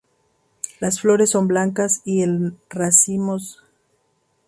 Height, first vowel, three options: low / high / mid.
low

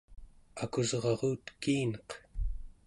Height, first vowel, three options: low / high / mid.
low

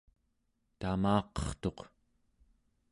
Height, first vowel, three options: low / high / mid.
low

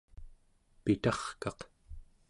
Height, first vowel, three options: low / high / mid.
high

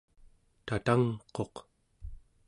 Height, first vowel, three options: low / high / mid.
low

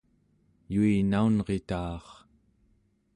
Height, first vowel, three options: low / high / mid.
high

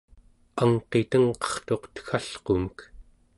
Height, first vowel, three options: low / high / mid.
low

